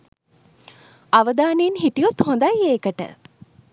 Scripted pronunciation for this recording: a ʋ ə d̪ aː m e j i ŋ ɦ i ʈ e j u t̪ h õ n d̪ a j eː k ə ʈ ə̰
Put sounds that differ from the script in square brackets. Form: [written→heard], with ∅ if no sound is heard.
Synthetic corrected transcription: a ʋ ə d̪ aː [m→n] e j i [ŋ→n] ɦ i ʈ [e→i] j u t̪ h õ n d̪ a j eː k ə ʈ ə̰